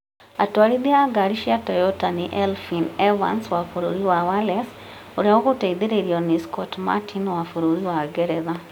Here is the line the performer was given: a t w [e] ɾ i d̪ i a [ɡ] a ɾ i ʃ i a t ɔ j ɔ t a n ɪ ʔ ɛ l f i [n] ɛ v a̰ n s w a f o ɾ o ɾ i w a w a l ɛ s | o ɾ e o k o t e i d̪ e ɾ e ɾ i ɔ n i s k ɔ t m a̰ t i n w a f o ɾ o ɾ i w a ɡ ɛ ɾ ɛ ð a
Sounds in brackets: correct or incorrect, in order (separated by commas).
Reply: incorrect, correct, correct